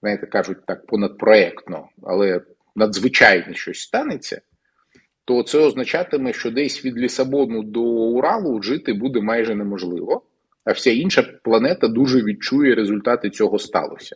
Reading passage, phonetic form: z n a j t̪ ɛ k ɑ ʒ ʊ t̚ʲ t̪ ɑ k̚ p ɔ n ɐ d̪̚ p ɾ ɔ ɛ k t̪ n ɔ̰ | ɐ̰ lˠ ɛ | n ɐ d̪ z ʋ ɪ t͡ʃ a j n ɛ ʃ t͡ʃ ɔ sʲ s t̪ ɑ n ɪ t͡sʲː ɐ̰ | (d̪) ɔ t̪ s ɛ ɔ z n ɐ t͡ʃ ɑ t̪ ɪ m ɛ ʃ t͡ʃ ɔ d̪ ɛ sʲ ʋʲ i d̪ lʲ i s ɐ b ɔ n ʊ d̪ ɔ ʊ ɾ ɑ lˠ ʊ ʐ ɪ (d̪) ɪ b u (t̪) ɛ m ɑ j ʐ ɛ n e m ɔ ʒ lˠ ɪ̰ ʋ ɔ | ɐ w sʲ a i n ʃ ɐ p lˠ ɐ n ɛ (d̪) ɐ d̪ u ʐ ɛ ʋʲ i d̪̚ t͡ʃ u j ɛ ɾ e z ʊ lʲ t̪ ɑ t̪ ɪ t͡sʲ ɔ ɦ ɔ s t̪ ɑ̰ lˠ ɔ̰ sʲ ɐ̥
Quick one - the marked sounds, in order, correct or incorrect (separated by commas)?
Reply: incorrect, incorrect, incorrect, incorrect